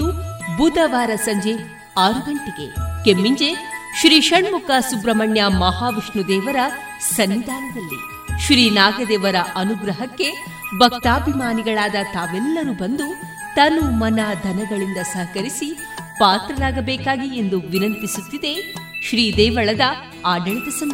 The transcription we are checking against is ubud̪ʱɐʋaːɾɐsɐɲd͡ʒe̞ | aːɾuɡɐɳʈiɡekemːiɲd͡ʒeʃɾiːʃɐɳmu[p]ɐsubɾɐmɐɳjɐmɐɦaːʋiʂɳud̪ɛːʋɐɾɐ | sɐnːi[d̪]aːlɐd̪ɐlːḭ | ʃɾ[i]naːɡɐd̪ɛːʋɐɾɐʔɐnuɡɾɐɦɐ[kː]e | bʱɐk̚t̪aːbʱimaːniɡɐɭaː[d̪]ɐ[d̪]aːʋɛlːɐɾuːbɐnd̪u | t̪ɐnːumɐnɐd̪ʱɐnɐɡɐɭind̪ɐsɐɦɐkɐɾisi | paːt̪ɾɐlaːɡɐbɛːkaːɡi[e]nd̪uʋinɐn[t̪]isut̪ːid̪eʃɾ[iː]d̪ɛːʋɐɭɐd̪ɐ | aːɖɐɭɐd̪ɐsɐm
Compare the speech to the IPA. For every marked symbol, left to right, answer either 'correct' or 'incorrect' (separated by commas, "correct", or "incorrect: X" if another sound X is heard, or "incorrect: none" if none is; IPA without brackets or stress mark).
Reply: incorrect: k, correct, incorrect: iː, correct, correct, incorrect: t̪, correct, correct, correct